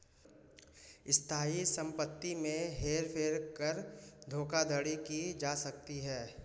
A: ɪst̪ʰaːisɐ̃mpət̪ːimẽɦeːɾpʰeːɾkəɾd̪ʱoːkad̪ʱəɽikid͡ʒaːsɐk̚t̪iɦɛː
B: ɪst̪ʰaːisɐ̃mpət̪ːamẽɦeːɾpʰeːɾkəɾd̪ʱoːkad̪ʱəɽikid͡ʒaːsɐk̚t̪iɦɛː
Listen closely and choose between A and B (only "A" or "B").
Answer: A